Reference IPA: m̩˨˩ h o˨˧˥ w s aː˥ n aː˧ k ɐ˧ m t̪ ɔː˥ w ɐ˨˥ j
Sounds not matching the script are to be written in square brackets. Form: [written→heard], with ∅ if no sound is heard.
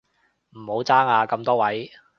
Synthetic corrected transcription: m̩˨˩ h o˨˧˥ w [s→t͡s] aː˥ [n→ŋ] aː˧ k ɐ˧ m t̪ ɔː˥ w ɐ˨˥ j